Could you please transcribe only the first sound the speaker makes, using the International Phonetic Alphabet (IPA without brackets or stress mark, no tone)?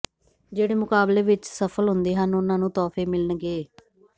d͡ʒ